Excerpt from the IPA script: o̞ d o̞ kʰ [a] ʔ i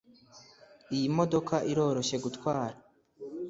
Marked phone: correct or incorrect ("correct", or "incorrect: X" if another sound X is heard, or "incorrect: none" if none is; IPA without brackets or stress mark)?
correct